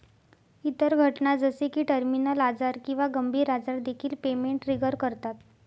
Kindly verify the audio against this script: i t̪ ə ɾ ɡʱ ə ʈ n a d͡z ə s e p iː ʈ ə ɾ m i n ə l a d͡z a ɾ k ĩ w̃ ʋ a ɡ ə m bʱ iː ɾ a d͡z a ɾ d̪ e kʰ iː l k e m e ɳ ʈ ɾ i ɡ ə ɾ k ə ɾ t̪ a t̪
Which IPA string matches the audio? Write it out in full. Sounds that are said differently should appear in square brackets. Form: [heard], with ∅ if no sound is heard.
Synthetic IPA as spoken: i t̪ ə ɾ ɡʱ ə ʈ n a d͡z ə s e [k] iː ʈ ə ɾ m i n ə l a d͡z a ɾ k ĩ w̃ ʋ a ɡ ə m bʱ iː ɾ a d͡z a ɾ d̪ e kʰ iː l [p] e m e ɳ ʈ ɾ i ɡ ə ɾ k ə ɾ t̪ a t̪